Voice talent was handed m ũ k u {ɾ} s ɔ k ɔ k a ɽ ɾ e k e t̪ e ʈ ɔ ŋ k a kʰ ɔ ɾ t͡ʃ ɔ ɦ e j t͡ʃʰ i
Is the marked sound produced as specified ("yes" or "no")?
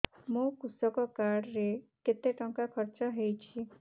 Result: no